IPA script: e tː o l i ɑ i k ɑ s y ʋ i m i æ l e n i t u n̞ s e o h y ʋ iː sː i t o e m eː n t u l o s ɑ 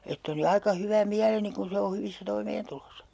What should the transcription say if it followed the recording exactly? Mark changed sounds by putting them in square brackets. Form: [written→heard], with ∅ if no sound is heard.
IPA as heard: e tː o l i ɑ i k ɑ [s→h] y ʋ [i→æ] m i æ l e n i [t→k] u n̞ s e o h y ʋ [iː→i] sː [i→æ] t o [e→i] m eː n t u l o s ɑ